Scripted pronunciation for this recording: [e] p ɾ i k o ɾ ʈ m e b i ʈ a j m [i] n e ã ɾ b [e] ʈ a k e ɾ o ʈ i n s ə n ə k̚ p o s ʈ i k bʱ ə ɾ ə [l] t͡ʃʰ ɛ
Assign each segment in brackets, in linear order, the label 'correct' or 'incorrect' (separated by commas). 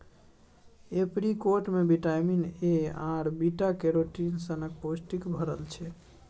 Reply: correct, correct, incorrect, correct